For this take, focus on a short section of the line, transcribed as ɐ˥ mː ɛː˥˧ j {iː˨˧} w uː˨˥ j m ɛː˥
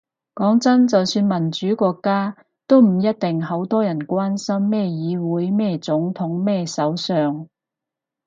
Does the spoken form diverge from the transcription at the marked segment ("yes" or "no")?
no